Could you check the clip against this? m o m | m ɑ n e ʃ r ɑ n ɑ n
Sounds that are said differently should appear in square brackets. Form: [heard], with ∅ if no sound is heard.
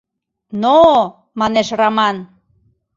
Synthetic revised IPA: [n] o [∅] | m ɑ n e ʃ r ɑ [m] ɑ n